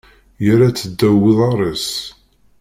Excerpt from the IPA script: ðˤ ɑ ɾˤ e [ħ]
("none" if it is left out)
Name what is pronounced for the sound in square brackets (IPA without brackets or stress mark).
s